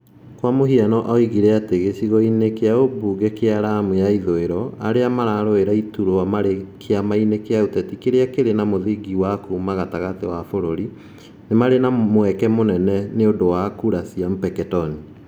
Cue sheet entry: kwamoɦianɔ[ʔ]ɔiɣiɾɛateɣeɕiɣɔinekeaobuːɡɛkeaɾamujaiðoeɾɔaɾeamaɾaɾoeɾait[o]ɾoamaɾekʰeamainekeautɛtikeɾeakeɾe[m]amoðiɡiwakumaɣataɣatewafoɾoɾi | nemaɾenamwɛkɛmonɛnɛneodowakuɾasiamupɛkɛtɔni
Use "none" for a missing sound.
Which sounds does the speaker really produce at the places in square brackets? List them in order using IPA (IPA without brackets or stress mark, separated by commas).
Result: ʔ, u, n